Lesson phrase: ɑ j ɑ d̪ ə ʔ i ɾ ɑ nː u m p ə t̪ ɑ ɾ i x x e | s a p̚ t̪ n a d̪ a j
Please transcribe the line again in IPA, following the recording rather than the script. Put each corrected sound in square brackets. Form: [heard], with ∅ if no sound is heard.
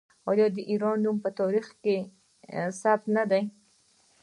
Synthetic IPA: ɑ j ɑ d̪ ə ʔ i ɾ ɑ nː u m p ə t̪ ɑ ɾ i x [k] e | s a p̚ t̪ n a d̪ a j